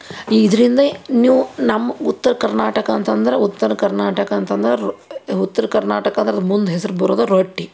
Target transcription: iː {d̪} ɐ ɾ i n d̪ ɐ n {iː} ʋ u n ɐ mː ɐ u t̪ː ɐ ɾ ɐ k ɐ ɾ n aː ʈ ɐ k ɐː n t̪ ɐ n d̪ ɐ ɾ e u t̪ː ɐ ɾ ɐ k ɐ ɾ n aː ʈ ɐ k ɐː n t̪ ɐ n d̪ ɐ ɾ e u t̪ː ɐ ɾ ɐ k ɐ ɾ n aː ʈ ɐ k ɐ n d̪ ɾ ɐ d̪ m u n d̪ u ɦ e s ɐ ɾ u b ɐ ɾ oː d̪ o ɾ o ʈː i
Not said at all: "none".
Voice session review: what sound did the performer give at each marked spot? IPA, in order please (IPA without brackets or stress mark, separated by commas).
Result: d̪, iː